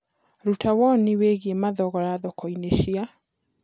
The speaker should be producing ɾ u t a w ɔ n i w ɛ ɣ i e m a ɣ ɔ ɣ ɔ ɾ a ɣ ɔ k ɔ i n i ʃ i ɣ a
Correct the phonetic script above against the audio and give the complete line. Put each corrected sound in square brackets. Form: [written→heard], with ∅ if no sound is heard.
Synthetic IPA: ɾ u t a w ɔ n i w [ɛ→e] ɣ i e m a [ɣ→ð] ɔ ɣ ɔ ɾ a [ɣ→ð] ɔ k ɔ i n [i→e] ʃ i [ɣ→∅] a